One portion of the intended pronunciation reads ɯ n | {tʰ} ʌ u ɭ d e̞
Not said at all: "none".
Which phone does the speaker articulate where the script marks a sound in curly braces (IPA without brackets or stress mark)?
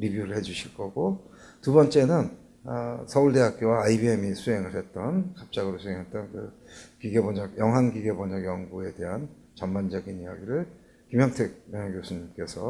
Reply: sʰ